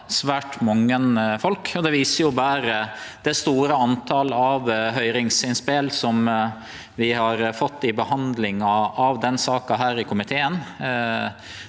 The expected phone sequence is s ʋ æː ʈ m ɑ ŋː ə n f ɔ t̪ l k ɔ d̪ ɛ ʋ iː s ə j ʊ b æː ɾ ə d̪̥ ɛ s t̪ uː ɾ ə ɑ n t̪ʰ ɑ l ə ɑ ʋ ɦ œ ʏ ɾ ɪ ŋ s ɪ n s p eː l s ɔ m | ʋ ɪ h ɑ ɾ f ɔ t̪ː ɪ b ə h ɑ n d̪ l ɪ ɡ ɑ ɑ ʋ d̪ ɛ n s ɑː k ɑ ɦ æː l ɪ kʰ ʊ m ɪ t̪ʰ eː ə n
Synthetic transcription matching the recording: s ʋ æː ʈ m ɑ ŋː ə n f ɔ l k ɔ d̪ ɛ ʋ iː s ə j ʊ b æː ɾ ə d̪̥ ɛ s t̪ uː ɾ ə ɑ n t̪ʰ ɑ l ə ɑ ʋ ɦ œ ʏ ɾ ɪ ŋ s ɪ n s p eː l s ɔ m | ʋ ɪ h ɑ ɾ f ɔ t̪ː ɪ b ə h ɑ n d̪ l ɪ ŋ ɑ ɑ ʋ d̪ ɛ n s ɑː k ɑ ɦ æː ɾ ɪ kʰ ʊ m ɪ t̪ʰ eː ə n